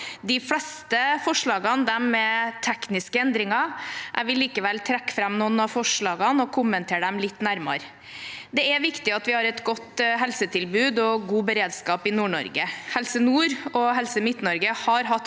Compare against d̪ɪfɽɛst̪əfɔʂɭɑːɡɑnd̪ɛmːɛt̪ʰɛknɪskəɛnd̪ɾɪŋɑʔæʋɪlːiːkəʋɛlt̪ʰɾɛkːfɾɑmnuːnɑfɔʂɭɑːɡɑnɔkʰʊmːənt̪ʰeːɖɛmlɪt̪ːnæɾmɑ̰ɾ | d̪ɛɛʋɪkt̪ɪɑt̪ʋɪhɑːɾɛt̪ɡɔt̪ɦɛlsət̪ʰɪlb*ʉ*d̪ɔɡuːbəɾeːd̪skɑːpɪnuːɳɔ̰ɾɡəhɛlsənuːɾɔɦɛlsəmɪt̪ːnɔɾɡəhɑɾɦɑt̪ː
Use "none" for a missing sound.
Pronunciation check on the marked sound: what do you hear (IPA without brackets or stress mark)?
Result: ʉː